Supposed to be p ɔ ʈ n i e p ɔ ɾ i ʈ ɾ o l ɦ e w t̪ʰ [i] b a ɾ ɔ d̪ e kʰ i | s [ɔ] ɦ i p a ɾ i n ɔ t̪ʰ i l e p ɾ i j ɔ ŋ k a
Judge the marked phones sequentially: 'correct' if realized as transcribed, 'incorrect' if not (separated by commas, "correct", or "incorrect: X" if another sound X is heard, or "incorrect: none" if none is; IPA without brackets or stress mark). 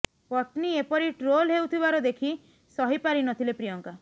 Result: correct, correct